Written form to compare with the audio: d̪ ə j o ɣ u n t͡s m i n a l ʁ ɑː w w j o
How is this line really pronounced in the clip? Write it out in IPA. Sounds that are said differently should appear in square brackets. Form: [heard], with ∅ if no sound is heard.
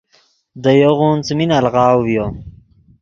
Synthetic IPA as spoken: d̪ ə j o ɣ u n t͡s m i n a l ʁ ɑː w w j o